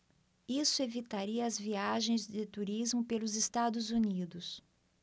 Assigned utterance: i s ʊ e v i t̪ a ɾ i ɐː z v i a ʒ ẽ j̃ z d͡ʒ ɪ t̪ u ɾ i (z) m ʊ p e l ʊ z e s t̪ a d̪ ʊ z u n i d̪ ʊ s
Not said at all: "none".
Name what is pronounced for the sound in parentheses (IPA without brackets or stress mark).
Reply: z